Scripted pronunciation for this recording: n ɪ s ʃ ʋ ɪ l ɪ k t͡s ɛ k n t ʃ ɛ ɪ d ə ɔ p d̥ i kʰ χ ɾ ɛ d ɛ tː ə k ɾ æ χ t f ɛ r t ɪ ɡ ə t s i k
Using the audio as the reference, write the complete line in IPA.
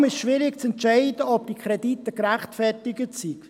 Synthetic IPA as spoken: m ɪ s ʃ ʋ ɪ ɾ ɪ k t͡s ɛ n t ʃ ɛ ɪ d ə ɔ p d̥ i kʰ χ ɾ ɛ d i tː ə k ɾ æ χ t f ɛ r t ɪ ɡ ə t s i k